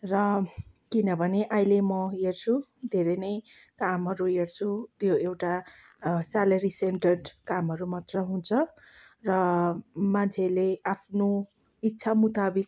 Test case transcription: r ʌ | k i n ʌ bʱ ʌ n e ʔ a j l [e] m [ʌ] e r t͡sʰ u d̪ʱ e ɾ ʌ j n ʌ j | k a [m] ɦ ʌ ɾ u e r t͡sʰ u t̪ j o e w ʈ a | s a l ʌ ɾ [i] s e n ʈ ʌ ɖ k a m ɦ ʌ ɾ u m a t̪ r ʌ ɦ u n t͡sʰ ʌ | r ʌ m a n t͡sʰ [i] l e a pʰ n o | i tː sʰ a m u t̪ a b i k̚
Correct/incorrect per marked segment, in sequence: correct, correct, correct, correct, incorrect: e

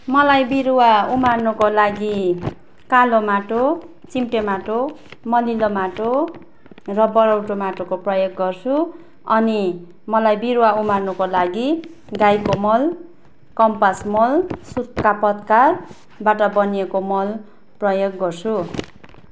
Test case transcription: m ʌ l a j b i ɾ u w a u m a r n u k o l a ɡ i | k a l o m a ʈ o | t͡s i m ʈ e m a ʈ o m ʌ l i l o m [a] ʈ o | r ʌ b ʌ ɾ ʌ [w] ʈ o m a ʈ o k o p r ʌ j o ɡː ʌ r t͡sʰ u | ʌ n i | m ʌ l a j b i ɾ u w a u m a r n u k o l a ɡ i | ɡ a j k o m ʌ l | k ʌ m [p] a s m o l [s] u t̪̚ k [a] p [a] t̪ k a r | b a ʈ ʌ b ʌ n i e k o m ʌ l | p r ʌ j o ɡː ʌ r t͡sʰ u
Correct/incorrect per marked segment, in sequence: correct, correct, correct, correct, correct, incorrect: ʌ

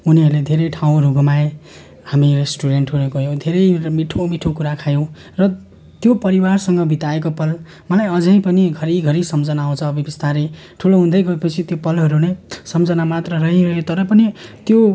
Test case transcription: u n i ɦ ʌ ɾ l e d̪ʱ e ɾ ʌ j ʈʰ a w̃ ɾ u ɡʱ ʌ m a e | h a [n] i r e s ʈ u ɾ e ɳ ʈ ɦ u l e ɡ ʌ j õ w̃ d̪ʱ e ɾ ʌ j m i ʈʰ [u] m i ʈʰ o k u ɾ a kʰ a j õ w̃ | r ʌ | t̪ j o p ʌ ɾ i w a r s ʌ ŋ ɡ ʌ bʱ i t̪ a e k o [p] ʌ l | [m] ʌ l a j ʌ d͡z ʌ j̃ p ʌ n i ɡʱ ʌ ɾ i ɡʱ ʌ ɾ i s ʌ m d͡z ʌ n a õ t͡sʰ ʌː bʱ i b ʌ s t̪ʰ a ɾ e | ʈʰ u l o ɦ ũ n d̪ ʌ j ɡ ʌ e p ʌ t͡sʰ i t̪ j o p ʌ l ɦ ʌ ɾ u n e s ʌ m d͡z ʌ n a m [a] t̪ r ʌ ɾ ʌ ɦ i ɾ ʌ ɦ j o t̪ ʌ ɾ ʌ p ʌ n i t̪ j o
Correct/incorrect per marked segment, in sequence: incorrect: m, incorrect: o, correct, correct, correct

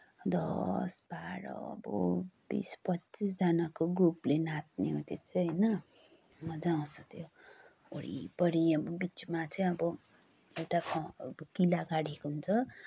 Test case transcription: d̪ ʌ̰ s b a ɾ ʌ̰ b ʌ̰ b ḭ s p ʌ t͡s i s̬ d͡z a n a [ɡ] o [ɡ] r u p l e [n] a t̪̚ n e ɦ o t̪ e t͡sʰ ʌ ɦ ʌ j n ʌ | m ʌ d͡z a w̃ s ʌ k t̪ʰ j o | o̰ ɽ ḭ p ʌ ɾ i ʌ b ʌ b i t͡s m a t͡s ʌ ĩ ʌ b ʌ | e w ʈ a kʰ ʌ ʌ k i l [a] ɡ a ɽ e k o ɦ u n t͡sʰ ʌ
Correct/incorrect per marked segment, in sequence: incorrect: k, correct, correct, correct

